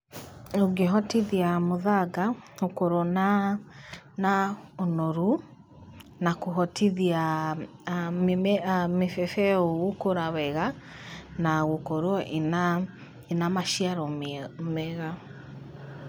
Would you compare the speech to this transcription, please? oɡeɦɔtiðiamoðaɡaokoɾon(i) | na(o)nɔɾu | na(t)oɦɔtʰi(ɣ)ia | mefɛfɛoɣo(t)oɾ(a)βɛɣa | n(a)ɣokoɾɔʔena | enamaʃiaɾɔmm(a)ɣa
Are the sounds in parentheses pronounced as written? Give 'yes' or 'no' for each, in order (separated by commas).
no, yes, no, no, no, yes, yes, no